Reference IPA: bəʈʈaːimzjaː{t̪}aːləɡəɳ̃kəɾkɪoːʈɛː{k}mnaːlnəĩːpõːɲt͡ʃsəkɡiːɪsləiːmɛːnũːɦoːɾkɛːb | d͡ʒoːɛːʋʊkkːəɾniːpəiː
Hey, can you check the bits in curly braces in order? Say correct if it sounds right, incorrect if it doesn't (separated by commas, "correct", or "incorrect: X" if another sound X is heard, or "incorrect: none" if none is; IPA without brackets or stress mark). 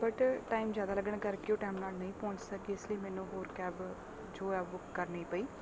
incorrect: d̪, incorrect: none